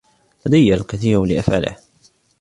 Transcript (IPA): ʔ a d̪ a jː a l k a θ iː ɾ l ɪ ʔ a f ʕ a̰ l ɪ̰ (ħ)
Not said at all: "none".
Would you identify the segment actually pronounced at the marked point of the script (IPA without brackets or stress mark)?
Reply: h